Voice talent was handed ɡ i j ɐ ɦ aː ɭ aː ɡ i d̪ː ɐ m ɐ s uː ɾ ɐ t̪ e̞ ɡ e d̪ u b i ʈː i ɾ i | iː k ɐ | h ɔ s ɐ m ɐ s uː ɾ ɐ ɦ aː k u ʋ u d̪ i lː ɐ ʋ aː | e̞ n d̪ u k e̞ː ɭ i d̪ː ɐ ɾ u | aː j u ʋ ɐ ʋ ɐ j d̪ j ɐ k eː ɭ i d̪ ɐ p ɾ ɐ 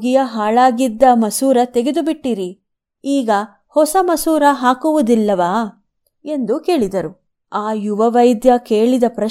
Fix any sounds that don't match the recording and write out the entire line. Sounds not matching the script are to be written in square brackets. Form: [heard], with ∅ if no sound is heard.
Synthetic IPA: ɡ i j ɐ ɦ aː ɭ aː ɡ i d̪ː ɐ m ɐ s uː ɾ ɐ t̪ e̞ ɡ e d̪ u b i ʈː i ɾ i | iː [ɡ] ɐ | h ɔ s ɐ m ɐ s uː ɾ ɐ ɦ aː k u ʋ u d̪ i lː ɐ ʋ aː | e̞ n d̪ u k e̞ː ɭ i [d̪] ɐ ɾ u | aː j u ʋ ɐ ʋ ɐ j d̪ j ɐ k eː ɭ i d̪ ɐ p ɾ ɐ